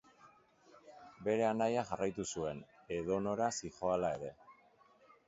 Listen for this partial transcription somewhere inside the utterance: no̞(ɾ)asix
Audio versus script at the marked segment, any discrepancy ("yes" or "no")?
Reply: no